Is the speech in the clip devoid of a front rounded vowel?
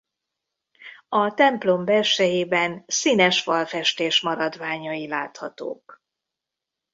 yes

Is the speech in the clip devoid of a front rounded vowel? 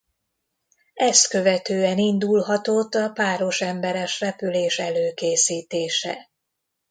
no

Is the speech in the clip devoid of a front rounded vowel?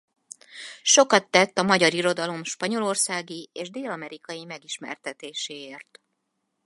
yes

